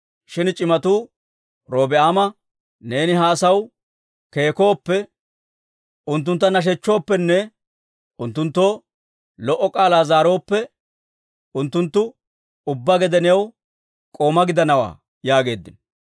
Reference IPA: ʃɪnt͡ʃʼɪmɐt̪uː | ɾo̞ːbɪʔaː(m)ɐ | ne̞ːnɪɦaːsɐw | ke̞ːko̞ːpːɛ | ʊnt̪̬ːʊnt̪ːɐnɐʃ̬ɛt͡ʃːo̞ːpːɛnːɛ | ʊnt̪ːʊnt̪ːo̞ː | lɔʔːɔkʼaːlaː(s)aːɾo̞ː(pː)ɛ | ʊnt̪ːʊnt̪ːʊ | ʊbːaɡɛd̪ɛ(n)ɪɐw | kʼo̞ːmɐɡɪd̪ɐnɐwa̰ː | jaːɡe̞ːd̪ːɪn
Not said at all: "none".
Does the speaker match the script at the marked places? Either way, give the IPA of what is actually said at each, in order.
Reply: m, z, pː, n

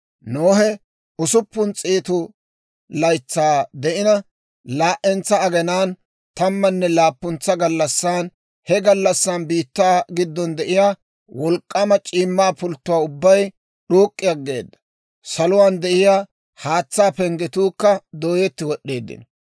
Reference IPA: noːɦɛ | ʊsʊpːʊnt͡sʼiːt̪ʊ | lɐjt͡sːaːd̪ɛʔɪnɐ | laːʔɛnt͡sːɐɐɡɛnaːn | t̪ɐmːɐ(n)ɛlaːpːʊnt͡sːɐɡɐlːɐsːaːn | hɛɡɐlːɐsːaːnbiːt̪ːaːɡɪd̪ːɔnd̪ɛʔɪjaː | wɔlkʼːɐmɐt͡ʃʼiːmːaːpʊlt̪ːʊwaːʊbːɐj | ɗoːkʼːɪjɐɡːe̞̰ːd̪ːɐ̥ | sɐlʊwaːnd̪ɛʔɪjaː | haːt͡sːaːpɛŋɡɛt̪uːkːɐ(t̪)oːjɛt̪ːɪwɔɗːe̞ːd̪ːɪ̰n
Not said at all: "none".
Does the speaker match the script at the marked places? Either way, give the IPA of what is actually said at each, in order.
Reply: nː, d̪

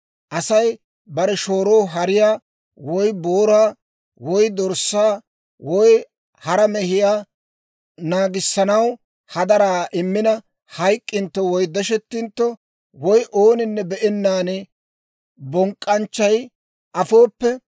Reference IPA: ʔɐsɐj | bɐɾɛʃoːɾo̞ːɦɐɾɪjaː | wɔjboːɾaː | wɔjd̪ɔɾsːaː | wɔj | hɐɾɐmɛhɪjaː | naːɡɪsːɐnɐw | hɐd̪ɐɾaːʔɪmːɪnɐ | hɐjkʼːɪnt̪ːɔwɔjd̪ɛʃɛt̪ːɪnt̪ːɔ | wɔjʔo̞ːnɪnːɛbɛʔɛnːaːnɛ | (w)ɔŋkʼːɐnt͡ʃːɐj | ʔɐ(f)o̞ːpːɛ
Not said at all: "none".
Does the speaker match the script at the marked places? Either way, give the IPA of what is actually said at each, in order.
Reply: b, f

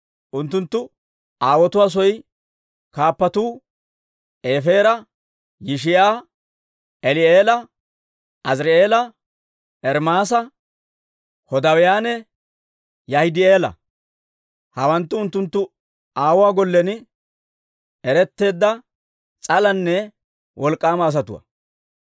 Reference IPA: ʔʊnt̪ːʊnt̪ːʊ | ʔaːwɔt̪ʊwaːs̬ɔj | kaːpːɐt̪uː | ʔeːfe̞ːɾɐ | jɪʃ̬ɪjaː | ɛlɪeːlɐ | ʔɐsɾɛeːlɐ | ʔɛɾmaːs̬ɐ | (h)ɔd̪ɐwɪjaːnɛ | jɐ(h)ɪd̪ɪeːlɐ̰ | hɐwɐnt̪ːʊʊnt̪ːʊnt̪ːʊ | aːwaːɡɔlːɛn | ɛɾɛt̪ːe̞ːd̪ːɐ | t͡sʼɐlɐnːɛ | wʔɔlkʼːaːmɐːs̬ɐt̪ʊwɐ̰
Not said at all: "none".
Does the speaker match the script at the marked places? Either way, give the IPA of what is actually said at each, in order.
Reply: h, h

